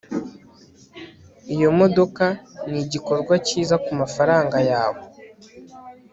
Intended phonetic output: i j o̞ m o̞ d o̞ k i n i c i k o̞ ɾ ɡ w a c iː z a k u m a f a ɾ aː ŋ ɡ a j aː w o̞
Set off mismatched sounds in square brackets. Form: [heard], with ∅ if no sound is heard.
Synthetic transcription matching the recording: i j o̞ m o̞ d o̞ k [a] n i [ɟ] i k o̞ ɾ ɡ w a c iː z a k u m a f a ɾ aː ŋ ɡ a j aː w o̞